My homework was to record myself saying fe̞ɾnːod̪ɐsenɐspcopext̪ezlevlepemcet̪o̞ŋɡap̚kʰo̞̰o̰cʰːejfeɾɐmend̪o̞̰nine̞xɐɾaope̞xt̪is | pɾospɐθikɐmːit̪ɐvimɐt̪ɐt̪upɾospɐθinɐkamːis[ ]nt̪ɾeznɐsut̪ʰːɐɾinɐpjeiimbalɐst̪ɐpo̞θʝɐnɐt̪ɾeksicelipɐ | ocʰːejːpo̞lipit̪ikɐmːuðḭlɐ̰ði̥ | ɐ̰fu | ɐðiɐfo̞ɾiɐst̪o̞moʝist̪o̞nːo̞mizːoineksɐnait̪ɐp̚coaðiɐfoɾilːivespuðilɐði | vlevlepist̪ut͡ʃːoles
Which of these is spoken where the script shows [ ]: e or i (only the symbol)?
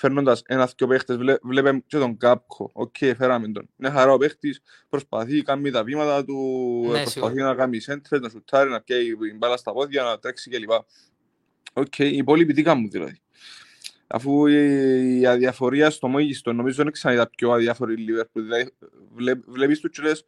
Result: e